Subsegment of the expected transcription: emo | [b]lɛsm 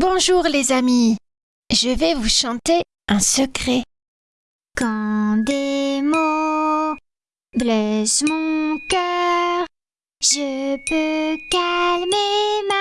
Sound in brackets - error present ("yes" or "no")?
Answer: no